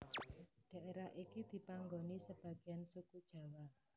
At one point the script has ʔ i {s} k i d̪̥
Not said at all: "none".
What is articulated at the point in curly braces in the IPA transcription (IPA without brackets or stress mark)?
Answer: none